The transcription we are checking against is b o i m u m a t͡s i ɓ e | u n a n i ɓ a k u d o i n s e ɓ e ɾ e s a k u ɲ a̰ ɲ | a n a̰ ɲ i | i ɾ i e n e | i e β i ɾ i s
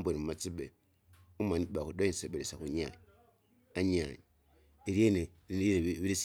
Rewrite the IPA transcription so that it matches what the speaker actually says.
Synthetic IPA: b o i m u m a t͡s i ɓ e | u m a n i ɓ a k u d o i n s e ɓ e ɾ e s a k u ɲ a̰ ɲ | a ɲ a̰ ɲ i | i ɾ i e n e | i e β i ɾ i s